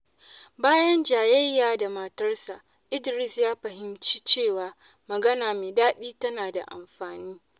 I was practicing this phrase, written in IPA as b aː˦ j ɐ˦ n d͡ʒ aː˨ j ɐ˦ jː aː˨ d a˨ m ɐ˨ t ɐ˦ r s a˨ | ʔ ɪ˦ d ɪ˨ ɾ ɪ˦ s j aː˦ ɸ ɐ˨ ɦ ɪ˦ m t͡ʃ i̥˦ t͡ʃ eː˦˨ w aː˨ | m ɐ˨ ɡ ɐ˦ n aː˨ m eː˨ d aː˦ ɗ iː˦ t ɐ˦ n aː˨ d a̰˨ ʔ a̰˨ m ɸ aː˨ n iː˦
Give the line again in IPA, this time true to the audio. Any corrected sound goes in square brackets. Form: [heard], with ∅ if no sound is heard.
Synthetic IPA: b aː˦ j ɐ˦ n d͡ʒ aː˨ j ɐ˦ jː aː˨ d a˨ m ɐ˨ t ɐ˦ r s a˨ | ʔ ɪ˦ d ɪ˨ ɾ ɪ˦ s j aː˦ ɸ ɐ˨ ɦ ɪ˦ m t͡ʃ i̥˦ t͡ʃ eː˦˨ w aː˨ | m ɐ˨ ɡ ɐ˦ n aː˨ m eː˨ d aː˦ ɗ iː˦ t ɐ˦ n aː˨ d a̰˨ ʔ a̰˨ m ɸ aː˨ n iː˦